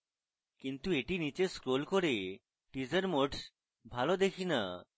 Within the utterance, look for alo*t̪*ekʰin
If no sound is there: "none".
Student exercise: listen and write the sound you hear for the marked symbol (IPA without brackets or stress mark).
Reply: d̪